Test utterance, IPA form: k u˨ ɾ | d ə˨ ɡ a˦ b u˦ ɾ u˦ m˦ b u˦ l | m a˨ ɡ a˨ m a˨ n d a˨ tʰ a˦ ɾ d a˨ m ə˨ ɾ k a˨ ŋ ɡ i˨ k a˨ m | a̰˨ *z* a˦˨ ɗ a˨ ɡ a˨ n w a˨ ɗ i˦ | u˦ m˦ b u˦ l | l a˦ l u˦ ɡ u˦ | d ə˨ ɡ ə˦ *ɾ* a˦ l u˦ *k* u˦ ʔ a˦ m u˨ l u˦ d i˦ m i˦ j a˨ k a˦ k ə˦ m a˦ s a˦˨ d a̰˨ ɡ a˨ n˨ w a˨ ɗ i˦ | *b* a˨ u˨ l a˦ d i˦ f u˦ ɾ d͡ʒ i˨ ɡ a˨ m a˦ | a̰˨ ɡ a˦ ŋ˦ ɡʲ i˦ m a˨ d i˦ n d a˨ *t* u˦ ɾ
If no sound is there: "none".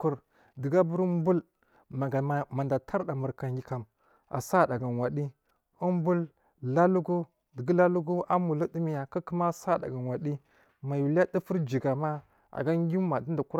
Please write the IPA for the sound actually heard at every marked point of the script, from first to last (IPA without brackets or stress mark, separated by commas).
s, l, ɡ, m, k